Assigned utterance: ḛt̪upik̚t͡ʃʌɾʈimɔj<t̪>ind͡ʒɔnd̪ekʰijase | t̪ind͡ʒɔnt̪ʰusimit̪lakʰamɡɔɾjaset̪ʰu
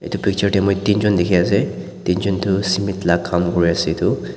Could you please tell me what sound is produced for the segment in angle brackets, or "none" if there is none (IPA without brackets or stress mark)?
t̪